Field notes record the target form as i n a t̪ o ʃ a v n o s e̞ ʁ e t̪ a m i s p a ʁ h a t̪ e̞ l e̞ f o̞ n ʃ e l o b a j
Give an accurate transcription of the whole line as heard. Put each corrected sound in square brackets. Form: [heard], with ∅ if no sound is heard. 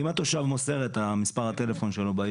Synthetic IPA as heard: i [m] a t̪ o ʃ a v [m] o s e̞ ʁ e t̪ a m i s p a ʁ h a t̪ e̞ l e̞ f o̞ n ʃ e l o b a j

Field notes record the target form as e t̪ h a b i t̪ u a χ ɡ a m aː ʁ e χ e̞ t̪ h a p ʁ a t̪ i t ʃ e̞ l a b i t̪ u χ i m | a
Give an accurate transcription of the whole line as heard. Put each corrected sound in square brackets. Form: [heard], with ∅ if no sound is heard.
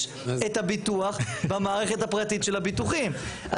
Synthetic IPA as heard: e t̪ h a b i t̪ u a χ [b] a m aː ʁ e χ e̞ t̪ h a p ʁ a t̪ i t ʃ e̞ l a b i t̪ u χ i m | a

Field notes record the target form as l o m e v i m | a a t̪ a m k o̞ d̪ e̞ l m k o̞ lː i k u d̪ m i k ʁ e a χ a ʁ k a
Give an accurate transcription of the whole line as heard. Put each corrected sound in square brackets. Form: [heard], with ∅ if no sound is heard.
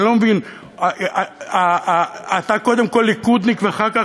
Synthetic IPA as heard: l o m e v i [n] | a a t̪ a [∅] k o̞ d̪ e̞ [∅] m k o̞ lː i k u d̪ [n] i k [v] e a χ a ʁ k a

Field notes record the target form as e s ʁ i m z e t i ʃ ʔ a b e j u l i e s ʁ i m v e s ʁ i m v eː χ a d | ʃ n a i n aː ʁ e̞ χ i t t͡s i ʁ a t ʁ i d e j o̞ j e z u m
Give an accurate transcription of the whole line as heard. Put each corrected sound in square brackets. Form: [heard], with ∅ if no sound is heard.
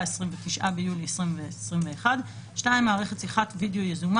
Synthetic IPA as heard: e s ʁ i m [v] e t i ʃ ʔ a b e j u l i e s ʁ i m v e s ʁ i m v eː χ a d | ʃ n a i [m] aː ʁ e̞ χ [e] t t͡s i [χ] a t [v] i d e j o̞ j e z u m

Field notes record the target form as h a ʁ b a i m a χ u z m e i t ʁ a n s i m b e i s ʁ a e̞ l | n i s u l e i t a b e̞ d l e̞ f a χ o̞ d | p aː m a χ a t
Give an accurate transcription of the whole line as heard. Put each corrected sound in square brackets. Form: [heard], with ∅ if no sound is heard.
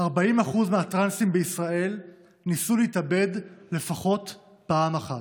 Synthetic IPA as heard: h a ʁ b a i m a χ u z m e [a] t ʁ a n s i m b e i s ʁ a e̞ l | n i s u l e i t a b e̞ d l e̞ f a χ o̞ [t] | p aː m a χ a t

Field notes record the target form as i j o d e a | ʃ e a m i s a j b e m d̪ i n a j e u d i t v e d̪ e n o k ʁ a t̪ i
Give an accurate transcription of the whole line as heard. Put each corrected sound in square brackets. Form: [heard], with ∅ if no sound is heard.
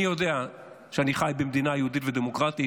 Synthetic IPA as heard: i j o d e a | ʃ e a [n] i [χ] a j b e m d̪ i n a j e u d i t v e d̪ e [m] o k ʁ a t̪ i

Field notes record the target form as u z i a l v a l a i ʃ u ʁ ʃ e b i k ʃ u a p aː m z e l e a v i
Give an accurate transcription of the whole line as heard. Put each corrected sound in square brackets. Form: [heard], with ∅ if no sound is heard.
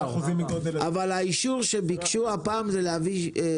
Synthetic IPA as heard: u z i a [∅] v a l a i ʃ u ʁ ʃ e b i k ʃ u a p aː m z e l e a v i

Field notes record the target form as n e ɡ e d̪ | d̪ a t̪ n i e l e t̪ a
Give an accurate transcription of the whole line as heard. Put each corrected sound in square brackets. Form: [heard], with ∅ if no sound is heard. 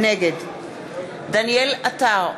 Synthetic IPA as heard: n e ɡ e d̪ | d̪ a [∅] n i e l [a] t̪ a

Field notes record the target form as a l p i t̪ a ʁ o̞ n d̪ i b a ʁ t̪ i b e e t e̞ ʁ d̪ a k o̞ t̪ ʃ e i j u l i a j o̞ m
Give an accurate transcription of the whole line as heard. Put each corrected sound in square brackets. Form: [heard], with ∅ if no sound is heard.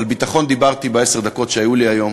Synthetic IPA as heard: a l [b] i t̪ a [χ] o̞ n d̪ i b a ʁ t̪ i b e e [s] e̞ ʁ d̪ a k o̞ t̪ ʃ e [a] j u l i a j o̞ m

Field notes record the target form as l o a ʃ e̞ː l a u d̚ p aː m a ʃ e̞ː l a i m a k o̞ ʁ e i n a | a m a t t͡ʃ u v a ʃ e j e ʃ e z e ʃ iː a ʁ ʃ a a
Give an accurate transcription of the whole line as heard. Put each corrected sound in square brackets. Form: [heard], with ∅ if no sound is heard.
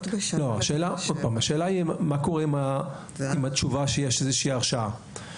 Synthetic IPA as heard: l o a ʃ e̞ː l a [o] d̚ p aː m a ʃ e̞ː l a i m a k o̞ ʁ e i [m] a | [i] m a t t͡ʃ u v a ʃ e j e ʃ e z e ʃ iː a ʁ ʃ a a

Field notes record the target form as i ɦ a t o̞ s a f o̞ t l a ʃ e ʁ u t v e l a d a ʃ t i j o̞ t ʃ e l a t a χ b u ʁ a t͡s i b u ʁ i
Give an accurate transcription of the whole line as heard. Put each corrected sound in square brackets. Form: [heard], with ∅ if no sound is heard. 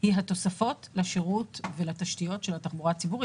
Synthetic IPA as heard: i ɦ a t o̞ s a f o̞ t l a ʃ e ʁ u t v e l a [t] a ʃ t i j o̞ t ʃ e l a t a χ b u ʁ a t͡s i b u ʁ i

